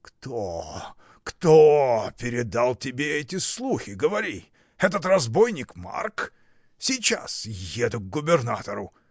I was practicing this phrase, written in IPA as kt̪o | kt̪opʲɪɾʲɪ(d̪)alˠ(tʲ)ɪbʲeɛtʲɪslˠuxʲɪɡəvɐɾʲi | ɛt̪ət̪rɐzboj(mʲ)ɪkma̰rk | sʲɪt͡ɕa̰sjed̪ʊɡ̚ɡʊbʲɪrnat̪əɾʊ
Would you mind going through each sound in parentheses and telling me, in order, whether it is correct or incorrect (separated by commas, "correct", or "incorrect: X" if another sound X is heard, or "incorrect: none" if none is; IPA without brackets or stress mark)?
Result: correct, correct, incorrect: nʲ